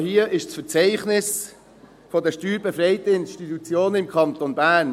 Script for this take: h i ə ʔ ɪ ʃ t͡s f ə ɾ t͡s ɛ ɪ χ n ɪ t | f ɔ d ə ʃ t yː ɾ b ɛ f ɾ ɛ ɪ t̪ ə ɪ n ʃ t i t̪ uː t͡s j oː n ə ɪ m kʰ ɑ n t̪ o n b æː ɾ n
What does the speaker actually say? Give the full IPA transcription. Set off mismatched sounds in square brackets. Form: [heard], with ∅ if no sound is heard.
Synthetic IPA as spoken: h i ə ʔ ɪ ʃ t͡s f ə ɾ t͡s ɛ ɪ χ n ɪ [s] | f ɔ d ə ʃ t yː ɾ b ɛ f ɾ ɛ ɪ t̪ ə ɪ n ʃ t i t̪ [u] t͡s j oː n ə ɪ m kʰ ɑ n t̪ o n b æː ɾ n